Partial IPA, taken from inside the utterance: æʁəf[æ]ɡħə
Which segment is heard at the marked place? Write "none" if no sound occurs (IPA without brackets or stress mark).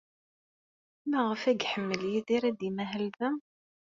æ